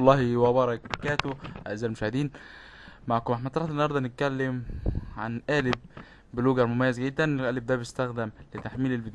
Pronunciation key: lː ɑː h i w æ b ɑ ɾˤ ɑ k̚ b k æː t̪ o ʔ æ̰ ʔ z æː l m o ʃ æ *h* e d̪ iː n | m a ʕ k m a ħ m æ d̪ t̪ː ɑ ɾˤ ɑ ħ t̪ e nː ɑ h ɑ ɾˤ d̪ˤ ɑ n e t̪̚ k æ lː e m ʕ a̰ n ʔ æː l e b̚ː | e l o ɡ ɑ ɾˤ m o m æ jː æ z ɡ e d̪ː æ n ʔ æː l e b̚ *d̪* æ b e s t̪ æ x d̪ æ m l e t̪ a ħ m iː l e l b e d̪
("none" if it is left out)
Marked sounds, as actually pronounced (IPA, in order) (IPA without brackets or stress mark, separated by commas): h, d̪